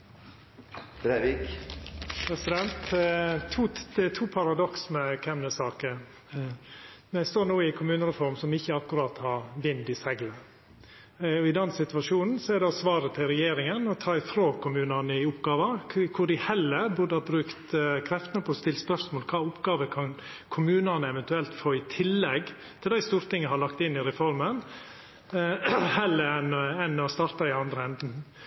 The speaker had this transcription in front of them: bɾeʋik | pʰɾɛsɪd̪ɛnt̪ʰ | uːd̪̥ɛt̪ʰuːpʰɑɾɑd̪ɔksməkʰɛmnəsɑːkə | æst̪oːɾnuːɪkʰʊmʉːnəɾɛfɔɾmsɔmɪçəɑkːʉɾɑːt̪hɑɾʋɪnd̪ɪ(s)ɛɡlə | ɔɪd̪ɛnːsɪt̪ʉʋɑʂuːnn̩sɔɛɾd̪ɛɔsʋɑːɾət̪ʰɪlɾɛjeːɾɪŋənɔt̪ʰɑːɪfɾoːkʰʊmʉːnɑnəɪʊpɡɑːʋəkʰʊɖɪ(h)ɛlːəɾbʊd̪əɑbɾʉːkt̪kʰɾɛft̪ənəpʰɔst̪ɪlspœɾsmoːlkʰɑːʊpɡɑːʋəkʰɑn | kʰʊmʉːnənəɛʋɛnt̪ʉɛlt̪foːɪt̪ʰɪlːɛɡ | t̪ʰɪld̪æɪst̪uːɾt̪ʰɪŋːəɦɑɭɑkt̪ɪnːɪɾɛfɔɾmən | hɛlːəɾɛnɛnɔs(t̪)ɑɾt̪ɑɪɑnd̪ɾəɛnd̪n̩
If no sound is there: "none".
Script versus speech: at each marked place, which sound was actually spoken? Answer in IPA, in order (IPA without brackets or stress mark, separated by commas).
s, h, t̪